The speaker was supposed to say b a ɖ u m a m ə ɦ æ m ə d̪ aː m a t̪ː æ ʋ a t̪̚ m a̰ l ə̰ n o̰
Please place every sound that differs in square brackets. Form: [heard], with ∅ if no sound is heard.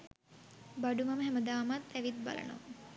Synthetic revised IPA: b a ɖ u m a m ə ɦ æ m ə d̪ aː m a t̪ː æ ʋ [i] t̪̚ [b] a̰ l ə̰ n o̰